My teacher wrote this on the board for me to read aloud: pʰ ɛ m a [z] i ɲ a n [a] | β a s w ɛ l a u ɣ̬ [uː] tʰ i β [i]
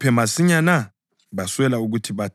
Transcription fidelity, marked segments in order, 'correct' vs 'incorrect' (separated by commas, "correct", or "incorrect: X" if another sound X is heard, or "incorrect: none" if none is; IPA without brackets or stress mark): incorrect: s, correct, incorrect: u, incorrect: a